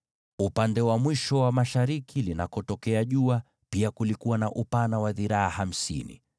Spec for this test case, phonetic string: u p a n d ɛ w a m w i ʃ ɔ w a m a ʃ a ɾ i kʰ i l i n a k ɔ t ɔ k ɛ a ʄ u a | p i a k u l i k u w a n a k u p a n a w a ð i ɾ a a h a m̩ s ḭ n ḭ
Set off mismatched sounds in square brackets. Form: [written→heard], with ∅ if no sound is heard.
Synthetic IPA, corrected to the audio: u p a n d ɛ w a m w i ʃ ɔ w a m a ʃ a ɾ i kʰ i l i n a k ɔ t ɔ k ɛ a ʄ u a | p i a k u l i k u w a n a [k→ʔ] u p a n a w a ð i ɾ a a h a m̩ s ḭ n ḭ